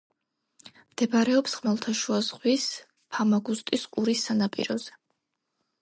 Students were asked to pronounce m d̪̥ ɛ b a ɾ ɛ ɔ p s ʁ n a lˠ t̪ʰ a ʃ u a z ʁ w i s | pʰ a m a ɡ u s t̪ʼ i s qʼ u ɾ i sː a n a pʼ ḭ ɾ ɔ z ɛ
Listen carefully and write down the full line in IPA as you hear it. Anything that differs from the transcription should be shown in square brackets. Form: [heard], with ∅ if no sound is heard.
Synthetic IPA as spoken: m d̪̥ ɛ b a ɾ ɛ ɔ p s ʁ [m] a lˠ t̪ʰ a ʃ u a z ʁ w i s | pʰ a m a ɡ u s t̪ʼ i s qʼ u ɾ i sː a n a pʼ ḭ ɾ ɔ z ɛ